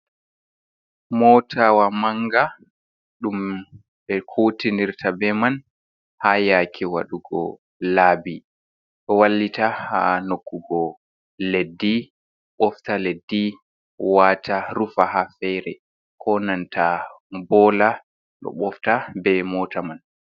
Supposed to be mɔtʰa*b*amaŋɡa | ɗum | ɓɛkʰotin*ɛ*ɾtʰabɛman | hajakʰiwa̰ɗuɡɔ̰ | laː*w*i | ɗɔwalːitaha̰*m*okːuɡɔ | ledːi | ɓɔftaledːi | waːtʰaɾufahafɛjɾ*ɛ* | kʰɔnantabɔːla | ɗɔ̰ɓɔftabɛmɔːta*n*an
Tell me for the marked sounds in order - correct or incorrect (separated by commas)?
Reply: incorrect, incorrect, incorrect, incorrect, correct, incorrect